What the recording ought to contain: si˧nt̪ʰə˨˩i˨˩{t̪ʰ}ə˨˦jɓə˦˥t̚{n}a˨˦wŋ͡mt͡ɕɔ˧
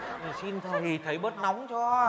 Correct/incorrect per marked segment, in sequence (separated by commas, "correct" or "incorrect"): correct, correct